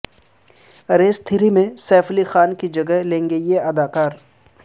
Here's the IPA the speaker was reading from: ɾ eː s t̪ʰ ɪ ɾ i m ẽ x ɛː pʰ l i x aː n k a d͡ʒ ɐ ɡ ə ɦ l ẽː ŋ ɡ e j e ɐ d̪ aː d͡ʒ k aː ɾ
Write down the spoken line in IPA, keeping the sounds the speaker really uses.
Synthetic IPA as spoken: ɾ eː s t̪ʰ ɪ ɾ i m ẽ s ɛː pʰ l i x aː n k i d͡ʒ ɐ ɡ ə ɦ l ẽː ŋ ɡ e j e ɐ d̪ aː k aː ɾ